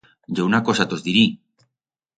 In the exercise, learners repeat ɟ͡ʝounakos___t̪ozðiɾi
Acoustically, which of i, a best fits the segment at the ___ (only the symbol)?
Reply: a